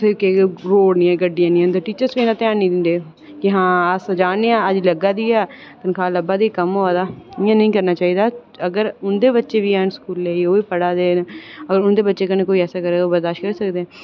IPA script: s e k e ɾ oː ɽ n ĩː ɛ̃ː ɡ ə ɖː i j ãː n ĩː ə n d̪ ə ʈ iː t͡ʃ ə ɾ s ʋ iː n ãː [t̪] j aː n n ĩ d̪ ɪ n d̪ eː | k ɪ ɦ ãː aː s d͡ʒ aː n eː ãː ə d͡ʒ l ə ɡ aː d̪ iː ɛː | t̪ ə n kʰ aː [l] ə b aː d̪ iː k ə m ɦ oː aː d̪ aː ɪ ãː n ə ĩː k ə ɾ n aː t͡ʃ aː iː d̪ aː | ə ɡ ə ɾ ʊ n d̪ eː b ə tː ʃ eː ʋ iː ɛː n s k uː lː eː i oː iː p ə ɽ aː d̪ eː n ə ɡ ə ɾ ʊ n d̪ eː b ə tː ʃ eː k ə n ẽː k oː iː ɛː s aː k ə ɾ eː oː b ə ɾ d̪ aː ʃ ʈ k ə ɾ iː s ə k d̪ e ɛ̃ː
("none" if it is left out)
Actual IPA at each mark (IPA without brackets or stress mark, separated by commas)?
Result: t̪, l